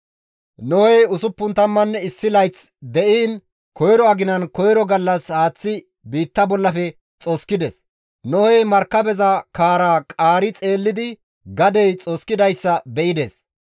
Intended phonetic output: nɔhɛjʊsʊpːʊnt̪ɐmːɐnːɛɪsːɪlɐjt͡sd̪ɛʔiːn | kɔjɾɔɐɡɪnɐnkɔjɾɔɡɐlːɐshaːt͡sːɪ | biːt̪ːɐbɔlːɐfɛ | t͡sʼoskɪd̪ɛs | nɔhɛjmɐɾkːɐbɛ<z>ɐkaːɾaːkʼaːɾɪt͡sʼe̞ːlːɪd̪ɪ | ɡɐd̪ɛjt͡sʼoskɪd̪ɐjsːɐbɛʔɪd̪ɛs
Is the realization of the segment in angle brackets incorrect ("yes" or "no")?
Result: no